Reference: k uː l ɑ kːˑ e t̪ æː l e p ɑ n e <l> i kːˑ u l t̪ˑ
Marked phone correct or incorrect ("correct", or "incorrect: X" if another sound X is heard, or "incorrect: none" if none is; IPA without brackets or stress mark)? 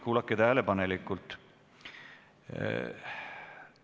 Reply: correct